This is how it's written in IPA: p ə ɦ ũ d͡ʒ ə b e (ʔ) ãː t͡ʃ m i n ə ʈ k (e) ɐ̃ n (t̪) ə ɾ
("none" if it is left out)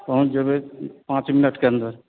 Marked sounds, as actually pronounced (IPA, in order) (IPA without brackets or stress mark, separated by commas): p, e, d̪